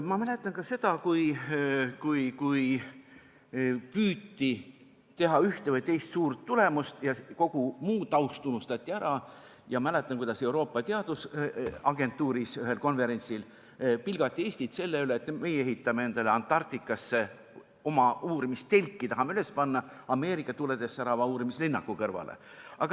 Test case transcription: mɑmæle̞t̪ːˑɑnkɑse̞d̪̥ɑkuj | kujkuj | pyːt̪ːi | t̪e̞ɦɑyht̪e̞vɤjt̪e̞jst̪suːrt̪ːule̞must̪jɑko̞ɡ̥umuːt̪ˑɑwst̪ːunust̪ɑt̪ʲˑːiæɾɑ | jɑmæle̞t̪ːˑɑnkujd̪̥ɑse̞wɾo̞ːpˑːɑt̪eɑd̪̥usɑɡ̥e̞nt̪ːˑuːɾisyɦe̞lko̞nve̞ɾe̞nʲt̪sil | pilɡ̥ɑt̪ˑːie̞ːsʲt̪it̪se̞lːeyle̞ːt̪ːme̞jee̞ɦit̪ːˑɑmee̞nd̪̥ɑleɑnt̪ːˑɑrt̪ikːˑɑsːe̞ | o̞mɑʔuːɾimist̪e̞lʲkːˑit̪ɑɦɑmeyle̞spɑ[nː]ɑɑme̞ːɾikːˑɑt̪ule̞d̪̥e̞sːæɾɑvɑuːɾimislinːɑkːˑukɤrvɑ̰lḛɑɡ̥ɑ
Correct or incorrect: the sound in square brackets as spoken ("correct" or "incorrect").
correct